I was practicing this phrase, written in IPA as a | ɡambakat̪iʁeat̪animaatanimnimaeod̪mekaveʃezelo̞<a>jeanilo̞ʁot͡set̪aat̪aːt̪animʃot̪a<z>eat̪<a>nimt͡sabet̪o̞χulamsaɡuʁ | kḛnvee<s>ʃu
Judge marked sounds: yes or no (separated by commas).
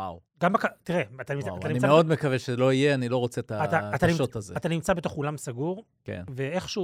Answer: no, yes, yes, no